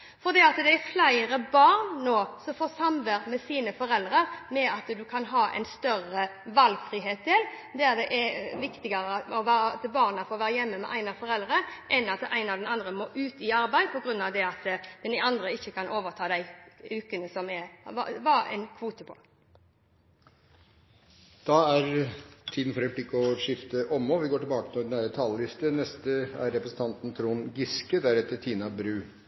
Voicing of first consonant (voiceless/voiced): voiceless